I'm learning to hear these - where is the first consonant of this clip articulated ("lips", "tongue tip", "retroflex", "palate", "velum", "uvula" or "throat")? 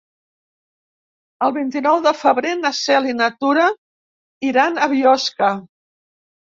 tongue tip